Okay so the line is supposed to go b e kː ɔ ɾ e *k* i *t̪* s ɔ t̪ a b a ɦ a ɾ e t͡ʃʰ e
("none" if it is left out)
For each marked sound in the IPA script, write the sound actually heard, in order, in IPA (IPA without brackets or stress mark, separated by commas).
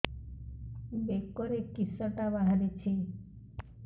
k, none